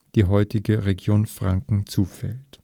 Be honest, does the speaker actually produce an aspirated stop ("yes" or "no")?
no